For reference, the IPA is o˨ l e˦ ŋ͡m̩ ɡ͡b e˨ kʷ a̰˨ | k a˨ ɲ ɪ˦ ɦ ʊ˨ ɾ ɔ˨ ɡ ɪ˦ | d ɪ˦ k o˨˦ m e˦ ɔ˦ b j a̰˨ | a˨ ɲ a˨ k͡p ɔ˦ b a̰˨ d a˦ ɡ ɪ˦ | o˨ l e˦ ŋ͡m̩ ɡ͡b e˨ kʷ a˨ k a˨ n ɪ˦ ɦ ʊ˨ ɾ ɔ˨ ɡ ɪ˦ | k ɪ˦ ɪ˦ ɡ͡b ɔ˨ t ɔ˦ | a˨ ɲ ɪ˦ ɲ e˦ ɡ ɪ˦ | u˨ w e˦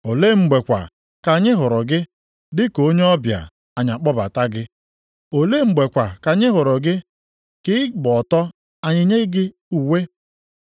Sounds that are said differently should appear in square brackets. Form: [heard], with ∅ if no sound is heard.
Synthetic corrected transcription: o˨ l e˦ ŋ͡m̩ ɡ͡b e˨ kʷ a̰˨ | k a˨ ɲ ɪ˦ ɦ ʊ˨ ɾ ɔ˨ ɡ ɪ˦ | d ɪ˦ k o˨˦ [ɲ] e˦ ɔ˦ b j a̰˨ | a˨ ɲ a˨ k͡p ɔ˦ b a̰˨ [t] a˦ ɡ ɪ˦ | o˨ l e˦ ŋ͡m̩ ɡ͡b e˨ kʷ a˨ k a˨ [ɲ] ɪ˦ ɦ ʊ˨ ɾ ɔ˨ ɡ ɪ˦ | k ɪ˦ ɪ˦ ɡ͡b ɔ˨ t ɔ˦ | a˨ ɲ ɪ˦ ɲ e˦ ɡ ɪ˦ | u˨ w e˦